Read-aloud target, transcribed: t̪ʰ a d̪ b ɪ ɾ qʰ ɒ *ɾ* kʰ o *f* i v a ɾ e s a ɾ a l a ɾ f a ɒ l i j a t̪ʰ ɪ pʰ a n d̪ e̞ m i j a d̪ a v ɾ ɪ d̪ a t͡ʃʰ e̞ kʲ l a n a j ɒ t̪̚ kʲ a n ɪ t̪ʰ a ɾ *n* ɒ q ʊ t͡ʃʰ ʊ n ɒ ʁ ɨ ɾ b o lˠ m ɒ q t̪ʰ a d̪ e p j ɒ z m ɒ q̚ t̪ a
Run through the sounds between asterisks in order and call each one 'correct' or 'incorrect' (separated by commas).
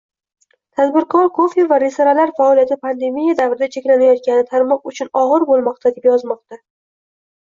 correct, correct, incorrect